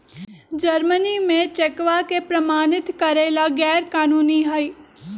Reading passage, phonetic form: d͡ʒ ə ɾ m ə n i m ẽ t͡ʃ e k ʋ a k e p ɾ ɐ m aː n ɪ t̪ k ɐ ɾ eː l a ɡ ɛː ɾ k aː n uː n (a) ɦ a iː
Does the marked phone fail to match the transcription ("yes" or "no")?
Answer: yes